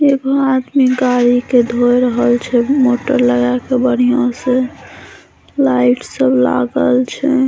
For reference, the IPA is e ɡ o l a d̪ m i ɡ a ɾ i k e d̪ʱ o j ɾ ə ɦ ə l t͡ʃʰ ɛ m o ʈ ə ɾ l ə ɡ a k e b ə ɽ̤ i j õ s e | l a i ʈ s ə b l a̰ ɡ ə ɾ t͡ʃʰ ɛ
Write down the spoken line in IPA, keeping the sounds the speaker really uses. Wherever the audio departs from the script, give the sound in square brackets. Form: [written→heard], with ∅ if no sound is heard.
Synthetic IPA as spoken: e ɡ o [l→∅] a d̪ m i ɡ a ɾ i k e d̪ʱ o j ɾ ə ɦ ə l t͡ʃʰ ɛ m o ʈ ə ɾ l ə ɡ a k e b ə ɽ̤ i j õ s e | l a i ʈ s ə b l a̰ ɡ ə [ɾ→l] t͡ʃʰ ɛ